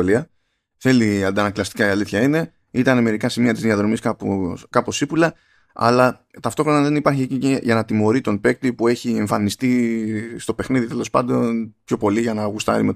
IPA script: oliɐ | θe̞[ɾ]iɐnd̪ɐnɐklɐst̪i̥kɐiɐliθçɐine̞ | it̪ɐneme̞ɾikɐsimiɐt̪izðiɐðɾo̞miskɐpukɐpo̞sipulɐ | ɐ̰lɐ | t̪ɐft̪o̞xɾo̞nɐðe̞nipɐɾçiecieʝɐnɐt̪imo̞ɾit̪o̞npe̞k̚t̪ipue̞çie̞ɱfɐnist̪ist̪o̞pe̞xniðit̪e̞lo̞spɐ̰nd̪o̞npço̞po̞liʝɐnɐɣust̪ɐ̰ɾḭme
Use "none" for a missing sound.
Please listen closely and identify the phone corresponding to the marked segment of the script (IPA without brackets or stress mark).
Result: l